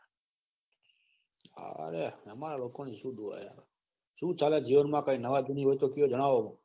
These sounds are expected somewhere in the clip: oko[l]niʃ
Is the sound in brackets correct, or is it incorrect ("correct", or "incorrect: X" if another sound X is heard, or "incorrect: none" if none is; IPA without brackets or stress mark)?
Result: incorrect: none